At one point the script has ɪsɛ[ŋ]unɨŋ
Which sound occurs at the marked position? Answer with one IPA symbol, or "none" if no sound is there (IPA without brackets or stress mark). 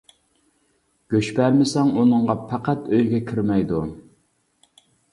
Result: ŋ